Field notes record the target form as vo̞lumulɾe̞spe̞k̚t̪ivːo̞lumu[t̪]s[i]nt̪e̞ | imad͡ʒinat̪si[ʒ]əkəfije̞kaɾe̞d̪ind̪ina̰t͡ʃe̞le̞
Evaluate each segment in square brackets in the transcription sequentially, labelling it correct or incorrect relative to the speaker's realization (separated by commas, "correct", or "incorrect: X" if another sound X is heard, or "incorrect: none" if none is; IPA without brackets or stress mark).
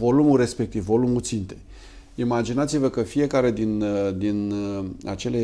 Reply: correct, correct, incorrect: v